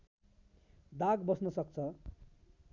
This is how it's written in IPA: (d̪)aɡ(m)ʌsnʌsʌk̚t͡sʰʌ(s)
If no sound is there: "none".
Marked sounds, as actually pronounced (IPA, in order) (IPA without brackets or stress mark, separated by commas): d̪, b, none